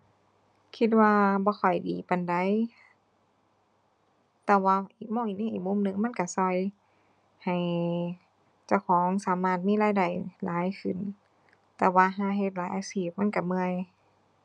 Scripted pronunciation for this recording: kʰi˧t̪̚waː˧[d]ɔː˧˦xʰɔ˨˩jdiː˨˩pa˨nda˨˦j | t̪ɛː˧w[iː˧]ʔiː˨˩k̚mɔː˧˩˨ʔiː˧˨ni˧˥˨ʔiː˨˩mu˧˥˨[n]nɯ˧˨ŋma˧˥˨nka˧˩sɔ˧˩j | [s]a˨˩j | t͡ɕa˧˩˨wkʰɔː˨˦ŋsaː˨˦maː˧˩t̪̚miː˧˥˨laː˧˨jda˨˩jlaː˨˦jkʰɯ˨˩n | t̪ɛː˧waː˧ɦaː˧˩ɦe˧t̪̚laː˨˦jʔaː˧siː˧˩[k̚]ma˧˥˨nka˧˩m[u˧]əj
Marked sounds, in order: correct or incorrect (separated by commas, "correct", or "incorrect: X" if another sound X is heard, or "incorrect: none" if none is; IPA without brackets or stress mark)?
incorrect: b, incorrect: aː˧, incorrect: m, incorrect: h, incorrect: p̚, incorrect: ɯ˧